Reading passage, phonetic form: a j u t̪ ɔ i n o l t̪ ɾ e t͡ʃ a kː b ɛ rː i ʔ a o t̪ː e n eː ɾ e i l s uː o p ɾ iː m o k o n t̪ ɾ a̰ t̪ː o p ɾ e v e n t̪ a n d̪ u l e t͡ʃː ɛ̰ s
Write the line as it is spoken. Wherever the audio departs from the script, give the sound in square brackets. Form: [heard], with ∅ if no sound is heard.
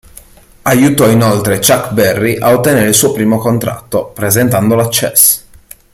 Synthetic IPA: a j u t̪ ɔ i n o l t̪ ɾ e t͡ʃ a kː b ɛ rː i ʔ a o t̪ː e n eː ɾ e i l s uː o p ɾ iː m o k o n t̪ ɾ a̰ t̪ː o p ɾ e [z] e n t̪ a n d̪ [o] l [a] t͡ʃː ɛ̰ s